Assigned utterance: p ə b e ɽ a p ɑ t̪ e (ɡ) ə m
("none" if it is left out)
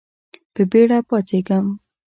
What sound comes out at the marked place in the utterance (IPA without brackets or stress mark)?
ɡ